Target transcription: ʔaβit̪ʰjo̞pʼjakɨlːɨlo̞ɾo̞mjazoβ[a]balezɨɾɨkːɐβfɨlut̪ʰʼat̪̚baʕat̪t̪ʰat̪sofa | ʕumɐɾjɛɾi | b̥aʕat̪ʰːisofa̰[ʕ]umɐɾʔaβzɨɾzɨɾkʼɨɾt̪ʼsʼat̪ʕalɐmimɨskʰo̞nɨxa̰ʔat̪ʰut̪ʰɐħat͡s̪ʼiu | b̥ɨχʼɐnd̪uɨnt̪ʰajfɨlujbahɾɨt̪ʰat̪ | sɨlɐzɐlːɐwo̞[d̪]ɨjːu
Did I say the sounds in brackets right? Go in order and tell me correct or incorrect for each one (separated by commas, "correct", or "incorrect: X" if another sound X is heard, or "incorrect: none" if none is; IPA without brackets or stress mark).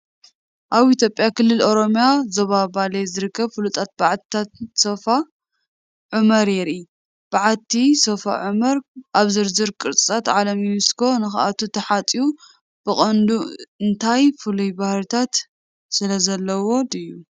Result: correct, correct, correct